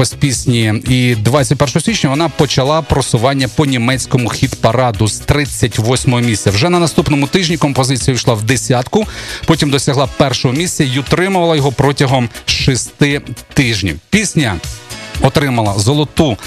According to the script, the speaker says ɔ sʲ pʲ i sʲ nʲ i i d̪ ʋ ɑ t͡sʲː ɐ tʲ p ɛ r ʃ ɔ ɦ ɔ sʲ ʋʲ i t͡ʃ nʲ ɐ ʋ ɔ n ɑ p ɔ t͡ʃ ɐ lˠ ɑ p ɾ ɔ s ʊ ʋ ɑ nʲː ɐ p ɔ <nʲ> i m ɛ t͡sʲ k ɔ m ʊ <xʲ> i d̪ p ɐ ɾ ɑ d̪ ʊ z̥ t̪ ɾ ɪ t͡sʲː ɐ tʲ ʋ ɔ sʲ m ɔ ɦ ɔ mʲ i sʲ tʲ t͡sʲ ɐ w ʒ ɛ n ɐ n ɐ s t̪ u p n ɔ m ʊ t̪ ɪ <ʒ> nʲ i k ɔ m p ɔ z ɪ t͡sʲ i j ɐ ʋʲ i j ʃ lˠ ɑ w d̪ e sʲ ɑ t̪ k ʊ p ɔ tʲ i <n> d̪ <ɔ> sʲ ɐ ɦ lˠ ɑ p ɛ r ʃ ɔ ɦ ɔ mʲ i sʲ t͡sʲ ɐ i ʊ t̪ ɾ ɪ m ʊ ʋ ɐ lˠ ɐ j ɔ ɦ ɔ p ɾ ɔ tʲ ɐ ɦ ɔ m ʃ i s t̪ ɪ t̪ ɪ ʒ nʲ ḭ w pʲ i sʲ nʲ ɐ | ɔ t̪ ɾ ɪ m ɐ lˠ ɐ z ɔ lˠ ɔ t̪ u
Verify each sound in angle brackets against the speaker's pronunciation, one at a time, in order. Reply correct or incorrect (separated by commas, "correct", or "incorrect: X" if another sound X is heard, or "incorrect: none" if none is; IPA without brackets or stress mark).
correct, correct, correct, incorrect: m, correct